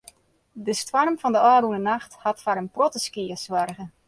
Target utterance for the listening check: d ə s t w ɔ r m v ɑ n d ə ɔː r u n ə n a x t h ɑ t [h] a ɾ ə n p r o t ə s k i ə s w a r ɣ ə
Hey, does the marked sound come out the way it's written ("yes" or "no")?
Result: no